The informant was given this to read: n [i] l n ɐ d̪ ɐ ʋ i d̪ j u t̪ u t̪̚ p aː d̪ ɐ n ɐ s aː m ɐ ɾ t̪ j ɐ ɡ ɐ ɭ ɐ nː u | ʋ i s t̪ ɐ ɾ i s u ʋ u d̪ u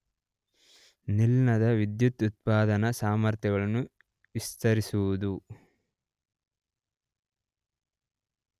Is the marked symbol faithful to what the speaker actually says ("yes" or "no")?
yes